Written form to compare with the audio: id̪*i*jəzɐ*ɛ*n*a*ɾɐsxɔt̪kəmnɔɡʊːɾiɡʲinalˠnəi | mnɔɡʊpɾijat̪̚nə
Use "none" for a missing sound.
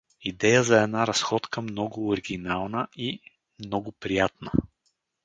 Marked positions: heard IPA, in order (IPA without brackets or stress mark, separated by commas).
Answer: ɛ, ɛ, a